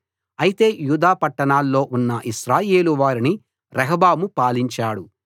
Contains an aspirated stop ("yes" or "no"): no